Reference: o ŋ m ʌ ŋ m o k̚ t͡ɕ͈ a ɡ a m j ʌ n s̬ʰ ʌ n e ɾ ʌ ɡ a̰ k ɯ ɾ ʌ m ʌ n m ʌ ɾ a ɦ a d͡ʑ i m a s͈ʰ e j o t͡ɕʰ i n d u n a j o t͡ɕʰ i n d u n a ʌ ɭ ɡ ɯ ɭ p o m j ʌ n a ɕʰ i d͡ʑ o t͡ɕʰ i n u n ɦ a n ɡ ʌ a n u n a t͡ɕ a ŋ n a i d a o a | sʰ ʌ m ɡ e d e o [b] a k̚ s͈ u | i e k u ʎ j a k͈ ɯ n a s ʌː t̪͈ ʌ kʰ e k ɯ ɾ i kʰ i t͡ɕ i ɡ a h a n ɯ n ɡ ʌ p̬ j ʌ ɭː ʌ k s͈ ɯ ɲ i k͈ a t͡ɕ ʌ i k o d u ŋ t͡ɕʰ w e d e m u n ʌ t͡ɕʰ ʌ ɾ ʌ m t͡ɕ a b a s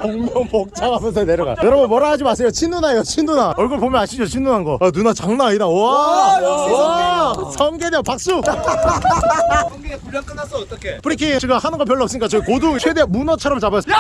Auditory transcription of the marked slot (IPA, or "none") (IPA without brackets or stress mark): p